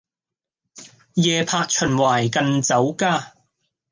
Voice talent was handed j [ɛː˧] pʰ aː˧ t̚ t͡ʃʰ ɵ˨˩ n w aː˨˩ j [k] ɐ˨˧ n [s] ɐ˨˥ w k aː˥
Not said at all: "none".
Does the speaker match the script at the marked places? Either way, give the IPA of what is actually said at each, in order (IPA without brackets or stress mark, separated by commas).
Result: ɛː˧, k, t͡s